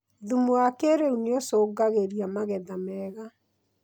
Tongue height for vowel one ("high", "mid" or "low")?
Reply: high